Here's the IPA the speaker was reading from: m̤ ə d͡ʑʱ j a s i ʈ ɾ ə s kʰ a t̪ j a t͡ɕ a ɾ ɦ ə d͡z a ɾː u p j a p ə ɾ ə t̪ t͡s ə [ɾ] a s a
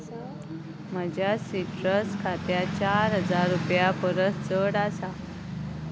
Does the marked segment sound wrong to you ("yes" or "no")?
yes